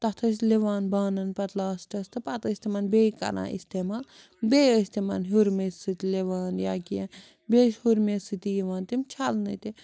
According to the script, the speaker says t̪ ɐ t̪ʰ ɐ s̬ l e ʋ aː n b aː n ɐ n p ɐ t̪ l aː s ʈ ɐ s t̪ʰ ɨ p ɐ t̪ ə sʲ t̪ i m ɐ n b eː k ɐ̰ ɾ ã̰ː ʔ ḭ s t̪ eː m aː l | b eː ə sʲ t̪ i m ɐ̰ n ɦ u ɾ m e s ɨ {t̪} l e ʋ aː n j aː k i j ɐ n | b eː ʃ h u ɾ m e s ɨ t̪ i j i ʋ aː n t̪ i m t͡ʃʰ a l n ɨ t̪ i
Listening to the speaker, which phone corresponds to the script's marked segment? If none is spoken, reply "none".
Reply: t̪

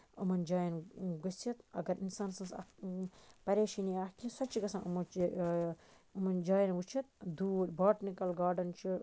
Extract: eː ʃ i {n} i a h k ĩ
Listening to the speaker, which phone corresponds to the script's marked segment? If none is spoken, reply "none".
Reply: n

